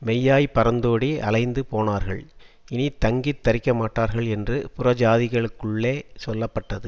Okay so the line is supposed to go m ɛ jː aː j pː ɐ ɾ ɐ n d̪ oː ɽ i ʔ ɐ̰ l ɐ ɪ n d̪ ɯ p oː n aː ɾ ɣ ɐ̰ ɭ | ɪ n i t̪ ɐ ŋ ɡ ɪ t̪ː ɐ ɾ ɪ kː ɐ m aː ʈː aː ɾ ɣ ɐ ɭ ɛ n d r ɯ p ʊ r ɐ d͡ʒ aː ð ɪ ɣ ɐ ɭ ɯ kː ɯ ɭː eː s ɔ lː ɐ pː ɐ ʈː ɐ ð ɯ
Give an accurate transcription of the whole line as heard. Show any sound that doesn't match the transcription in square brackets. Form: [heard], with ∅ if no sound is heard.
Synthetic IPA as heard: m ɛ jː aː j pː ɐ ɾ ɐ n d̪ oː ɽ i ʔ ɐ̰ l ɐ ɪ n d̪ ɯ p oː n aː ɾ ɣ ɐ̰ ɭ | ɪ n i t̪ ɐ ŋ ɡ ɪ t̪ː ɐ ɾ ɪ kː ɐ m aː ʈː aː ɾ ɣ ɐ ɭ ɛ n d r ɯ p ʊ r ɐ d͡ʒ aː ð ɪ ɣ ɐ ɭ ɯ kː ɯ ɭː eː s ɔ lː ɐ pː ɐ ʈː ɐ ð ɯ